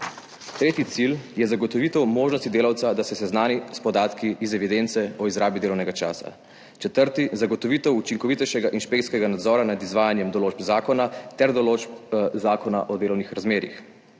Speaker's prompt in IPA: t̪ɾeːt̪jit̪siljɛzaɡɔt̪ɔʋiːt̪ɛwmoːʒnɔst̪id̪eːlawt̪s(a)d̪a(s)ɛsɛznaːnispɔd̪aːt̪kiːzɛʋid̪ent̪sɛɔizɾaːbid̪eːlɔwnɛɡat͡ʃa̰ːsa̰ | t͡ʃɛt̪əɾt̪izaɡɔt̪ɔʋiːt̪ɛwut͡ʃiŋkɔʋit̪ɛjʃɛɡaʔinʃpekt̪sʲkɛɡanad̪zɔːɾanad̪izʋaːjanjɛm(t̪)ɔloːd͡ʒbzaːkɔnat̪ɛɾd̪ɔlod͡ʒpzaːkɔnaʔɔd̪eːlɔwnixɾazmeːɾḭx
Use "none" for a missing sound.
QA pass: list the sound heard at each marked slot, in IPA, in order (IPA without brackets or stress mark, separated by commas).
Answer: a, s, d̪